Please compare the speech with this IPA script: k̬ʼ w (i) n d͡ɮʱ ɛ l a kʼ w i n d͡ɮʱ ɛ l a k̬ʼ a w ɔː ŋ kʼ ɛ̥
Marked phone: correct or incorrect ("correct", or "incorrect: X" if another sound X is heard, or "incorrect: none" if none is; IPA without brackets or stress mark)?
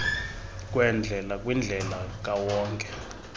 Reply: incorrect: ɛ